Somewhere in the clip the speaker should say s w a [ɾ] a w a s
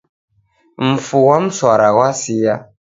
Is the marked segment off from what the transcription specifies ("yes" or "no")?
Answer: no